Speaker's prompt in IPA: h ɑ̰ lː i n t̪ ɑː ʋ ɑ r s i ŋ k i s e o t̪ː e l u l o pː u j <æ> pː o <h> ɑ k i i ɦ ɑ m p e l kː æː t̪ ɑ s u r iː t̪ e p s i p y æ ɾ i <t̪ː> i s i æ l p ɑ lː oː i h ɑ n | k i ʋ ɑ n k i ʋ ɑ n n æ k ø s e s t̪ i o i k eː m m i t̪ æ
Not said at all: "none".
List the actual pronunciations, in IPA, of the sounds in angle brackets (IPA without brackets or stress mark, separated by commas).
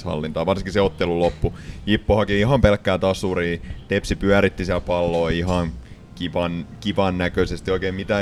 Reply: i, h, t̪ː